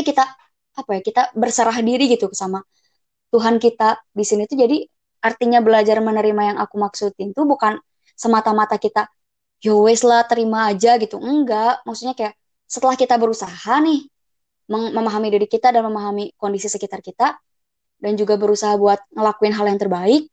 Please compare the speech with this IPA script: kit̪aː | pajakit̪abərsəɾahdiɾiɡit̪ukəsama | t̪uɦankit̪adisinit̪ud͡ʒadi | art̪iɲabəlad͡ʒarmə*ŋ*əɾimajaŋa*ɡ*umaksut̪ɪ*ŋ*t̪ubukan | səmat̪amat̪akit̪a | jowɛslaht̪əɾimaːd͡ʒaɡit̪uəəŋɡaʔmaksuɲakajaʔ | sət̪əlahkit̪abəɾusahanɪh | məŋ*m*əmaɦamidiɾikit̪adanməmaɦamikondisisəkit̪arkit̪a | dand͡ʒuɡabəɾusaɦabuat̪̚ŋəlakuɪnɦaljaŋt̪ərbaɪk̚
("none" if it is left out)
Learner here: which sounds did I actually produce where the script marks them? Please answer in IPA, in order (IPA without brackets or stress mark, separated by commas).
n, k, n, m